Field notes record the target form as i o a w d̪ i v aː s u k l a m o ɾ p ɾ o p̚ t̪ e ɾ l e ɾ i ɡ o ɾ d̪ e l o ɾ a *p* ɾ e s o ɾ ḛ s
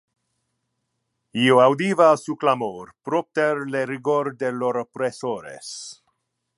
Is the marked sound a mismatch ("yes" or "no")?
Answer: no